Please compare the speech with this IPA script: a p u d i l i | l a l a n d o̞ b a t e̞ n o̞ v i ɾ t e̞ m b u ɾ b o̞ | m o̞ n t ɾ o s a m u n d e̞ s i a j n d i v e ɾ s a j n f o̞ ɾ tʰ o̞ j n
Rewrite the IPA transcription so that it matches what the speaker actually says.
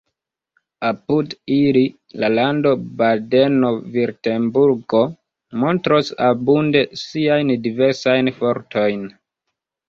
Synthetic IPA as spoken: a p u d i l i | l a l a n d o̞ b a d e̞ n o̞ v i ɾ t e̞ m b u ɾ ɡ o̞ | m o̞ n t ɾ o s a b u n d e̞ s i a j n d i v e ɾ s a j n f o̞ ɾ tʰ o̞ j n